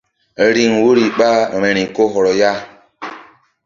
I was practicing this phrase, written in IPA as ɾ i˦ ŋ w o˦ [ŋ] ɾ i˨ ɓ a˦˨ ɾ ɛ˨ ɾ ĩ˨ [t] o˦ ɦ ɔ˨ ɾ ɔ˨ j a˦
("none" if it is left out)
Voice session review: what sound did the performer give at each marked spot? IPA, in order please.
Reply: none, k

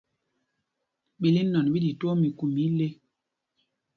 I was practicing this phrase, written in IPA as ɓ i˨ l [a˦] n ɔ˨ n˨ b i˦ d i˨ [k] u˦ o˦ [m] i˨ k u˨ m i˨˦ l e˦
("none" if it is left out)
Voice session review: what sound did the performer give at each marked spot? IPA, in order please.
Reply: i˦, t, m

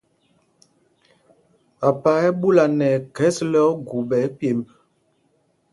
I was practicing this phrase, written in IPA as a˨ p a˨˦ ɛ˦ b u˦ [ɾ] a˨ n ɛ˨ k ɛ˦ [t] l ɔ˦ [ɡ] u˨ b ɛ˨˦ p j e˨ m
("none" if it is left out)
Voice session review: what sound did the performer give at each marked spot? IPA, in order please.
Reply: l, s, ɡ

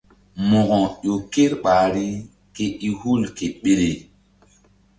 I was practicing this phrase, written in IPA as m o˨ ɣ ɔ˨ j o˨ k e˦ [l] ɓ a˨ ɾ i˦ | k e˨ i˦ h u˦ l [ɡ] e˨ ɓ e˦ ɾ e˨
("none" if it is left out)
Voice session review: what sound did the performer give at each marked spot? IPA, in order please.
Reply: ɾ, k

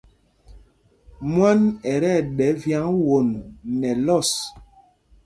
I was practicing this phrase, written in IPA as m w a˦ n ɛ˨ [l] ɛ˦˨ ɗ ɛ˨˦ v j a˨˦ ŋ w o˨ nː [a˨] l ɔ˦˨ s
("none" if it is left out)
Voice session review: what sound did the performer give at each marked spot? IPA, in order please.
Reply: ɾ, ɛ˨

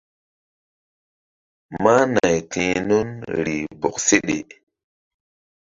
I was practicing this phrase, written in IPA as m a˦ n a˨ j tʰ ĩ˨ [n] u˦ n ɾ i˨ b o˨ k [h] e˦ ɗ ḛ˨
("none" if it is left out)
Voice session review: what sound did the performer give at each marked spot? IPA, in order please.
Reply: n, s

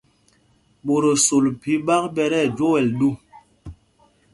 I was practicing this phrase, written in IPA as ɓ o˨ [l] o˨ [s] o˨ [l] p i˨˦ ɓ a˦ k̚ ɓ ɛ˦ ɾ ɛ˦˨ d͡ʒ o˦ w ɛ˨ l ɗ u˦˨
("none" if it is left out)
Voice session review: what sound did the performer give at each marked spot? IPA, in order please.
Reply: ɾ, s, l

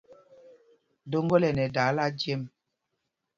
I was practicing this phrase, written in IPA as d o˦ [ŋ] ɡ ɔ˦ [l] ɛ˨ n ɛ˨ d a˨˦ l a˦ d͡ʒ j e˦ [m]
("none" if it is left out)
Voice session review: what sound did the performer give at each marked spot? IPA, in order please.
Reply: ŋ, l, m

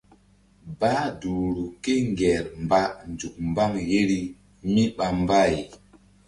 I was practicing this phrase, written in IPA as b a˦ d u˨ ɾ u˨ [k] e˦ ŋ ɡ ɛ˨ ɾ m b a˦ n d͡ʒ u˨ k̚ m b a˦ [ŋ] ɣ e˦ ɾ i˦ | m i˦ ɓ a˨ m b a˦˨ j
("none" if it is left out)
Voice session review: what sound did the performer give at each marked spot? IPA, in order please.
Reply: k, ŋ

